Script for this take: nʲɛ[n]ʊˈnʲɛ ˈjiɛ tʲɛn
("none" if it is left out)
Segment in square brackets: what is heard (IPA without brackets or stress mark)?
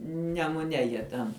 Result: m